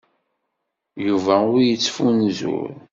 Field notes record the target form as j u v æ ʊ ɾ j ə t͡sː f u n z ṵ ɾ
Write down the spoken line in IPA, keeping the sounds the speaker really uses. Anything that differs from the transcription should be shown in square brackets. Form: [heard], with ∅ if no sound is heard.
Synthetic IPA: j u v æ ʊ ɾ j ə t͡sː f u n z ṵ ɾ